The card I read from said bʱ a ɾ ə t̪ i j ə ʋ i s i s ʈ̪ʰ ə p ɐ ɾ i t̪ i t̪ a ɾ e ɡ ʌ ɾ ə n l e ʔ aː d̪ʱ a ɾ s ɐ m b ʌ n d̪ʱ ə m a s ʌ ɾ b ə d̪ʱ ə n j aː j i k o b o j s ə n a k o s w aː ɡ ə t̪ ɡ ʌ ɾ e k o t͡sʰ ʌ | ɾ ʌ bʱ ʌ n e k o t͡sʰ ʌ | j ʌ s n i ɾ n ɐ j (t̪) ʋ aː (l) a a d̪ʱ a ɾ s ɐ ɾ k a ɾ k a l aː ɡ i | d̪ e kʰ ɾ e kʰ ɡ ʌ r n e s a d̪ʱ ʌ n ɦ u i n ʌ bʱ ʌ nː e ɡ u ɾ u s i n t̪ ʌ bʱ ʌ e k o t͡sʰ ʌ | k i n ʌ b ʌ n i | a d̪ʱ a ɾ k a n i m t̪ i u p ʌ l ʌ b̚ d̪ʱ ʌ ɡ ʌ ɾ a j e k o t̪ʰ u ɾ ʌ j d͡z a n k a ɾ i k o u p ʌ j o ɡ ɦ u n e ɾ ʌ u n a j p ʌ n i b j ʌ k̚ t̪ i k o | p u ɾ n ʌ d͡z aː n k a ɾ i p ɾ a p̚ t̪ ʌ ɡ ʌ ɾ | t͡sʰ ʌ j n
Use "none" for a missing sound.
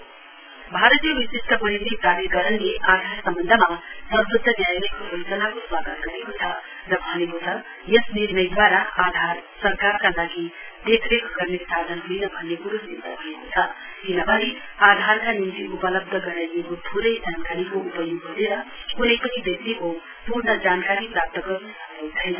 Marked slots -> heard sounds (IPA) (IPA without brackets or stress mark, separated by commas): d̪, ɾ